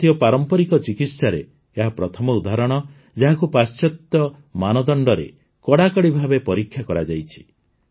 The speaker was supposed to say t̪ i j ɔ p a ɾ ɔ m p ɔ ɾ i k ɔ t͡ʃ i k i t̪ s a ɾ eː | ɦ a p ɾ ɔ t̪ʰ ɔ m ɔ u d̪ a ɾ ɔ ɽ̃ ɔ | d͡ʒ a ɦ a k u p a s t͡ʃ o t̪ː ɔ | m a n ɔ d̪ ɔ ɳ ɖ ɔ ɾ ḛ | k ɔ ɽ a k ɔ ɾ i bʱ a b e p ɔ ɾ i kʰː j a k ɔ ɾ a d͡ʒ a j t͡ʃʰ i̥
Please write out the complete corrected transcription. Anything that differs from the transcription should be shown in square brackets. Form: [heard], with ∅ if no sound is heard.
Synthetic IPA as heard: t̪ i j ɔ p a ɾ ɔ m p ɔ ɾ i k ɔ t͡ʃ i k i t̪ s a ɾ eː | ɦ a p ɾ ɔ t̪ʰ ɔ m ɔ u d̪ a ɾ ɔ ɽ̃ ɔ | d͡ʒ a ɦ a k u p a s t͡ʃ [ɔ] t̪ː ɔ | m a n ɔ d̪ ɔ ɳ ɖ ɔ ɾ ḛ | k ɔ ɽ a k ɔ [ɽ] i bʱ a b e p ɔ ɾ i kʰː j a k ɔ ɾ a d͡ʒ a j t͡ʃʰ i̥

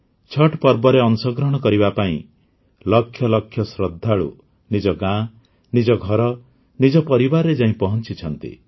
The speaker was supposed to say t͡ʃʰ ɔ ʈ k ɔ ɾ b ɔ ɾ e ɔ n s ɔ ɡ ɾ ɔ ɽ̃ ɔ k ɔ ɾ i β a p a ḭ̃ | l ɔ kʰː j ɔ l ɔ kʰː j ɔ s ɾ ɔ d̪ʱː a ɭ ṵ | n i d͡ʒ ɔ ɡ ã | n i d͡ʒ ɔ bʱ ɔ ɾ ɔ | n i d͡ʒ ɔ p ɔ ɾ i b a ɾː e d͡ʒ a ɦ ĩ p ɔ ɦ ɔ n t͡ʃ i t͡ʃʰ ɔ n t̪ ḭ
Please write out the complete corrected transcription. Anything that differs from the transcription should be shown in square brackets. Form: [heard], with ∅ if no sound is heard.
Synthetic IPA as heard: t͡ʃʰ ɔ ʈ [p] ɔ ɾ b ɔ ɾ e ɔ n s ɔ ɡ ɾ ɔ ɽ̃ ɔ k ɔ ɾ i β a p a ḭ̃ | l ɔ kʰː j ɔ l ɔ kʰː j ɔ s ɾ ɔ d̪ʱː a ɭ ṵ | n i d͡ʒ ɔ ɡ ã | n i d͡ʒ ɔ [ɡʱ] ɔ ɾ ɔ | n i d͡ʒ ɔ p ɔ ɾ i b a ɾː e d͡ʒ a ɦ ĩ p ɔ ɦ ɔ n t͡ʃ i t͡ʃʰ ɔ n t̪ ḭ

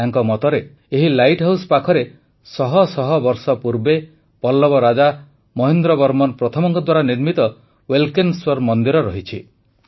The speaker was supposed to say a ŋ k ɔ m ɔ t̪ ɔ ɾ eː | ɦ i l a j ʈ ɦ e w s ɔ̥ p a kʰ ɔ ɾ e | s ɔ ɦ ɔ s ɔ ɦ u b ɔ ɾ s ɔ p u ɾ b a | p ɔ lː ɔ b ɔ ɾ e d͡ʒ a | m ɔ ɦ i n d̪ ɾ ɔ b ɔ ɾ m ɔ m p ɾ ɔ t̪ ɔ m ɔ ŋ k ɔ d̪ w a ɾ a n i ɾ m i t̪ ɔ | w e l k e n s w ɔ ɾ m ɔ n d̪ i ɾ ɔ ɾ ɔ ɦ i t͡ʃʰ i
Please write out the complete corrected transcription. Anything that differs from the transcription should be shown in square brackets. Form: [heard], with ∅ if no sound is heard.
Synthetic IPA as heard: a ŋ k ɔ m ɔ t̪ ɔ ɾ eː | ɦ i l a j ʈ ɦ [a] w s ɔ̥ p a kʰ ɔ ɾ e | s ɔ ɦ ɔ s ɔ ɦ [ɔ] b ɔ ɾ s ɔ p u ɾ b [e] | p ɔ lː ɔ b ɔ ɾ [a] d͡ʒ a | m ɔ ɦ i n d̪ ɾ ɔ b ɔ ɾ m ɔ [n] p ɾ ɔ [t̪ʰ] ɔ m ɔ ŋ k ɔ d̪ w a ɾ a n i ɾ m i t̪ ɔ | w e l k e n s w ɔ ɾ m ɔ n d̪ i ɾ ɔ ɾ ɔ ɦ i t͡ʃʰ i

